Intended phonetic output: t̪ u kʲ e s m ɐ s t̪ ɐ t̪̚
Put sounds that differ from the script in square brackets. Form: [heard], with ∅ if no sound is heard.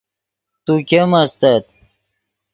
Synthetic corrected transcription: t̪ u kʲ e [∅] m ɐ s t̪ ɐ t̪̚